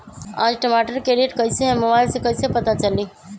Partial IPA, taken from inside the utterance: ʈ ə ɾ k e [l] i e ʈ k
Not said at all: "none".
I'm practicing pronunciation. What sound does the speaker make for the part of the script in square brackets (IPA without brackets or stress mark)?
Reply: ɾ